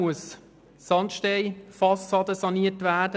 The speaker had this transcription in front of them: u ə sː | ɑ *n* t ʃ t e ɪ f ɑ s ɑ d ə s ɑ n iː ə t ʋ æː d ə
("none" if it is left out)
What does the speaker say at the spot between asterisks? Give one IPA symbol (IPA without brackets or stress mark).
n